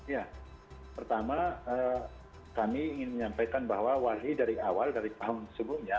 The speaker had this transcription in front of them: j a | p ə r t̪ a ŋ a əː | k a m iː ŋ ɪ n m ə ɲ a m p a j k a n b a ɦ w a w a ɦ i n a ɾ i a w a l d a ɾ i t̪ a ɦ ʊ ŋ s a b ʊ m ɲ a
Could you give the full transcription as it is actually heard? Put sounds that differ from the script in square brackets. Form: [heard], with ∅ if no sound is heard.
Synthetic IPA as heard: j a | p ə r t̪ a [m] a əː | k a m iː ŋ ɪ n m ə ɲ a m p a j k a n b a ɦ w a w a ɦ i [d] a ɾ i a w a l d a ɾ i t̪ a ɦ ʊ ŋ s [ə] b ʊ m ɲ a

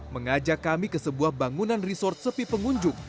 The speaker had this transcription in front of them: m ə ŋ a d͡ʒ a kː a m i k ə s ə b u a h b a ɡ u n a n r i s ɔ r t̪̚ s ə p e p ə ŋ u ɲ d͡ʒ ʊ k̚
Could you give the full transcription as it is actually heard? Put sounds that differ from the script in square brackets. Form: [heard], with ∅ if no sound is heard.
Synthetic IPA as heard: m ə ŋ a d͡ʒ a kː a m i k ə s ə b u a h b a [ŋ] u n a n r i s ɔ r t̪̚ s ə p [i] p ə ŋ u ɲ d͡ʒ ʊ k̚

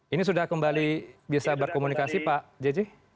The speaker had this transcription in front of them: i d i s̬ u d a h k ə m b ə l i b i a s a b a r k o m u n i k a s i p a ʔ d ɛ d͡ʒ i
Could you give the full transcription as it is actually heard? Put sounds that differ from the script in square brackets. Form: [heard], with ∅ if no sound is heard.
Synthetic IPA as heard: i [n] i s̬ u d a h k ə m b [a] l i b i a s a b [ə] r k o m u n i k a s i p a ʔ [d͡ʒ] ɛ d͡ʒ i

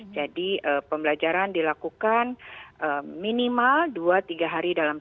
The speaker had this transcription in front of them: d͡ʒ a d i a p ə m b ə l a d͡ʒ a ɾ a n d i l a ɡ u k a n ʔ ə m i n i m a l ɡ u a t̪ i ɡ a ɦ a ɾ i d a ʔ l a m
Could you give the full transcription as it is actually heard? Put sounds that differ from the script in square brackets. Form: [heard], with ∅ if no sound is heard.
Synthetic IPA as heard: d͡ʒ a d i [ə] p ə m b ə l a d͡ʒ a ɾ a n d i l a [k] u k a n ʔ ə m i n i m a l [d] u a t̪ i ɡ a ɦ a ɾ i d a [∅] l a m

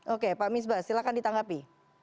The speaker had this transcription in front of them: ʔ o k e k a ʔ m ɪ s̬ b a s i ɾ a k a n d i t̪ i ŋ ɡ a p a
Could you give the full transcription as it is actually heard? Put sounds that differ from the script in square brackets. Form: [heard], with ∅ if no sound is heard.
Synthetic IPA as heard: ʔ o k e [p] a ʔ m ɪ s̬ b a s i [l] a k a n d i t̪ [a] ŋ ɡ a p [i]

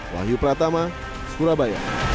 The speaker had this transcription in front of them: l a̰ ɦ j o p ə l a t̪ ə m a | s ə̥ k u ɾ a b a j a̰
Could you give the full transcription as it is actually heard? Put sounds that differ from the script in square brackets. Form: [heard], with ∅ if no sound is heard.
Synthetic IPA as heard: l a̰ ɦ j [u] p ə [ɾ] a t̪ [a] m a | s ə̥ k u ɾ a b a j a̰

